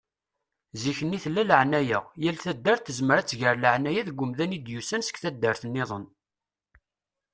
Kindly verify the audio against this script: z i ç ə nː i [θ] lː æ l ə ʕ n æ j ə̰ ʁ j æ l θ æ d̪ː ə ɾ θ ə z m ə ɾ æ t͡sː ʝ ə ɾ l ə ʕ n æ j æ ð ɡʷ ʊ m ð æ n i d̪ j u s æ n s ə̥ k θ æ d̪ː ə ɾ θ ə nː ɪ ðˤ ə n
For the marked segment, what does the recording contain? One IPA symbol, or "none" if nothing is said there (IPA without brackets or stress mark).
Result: θ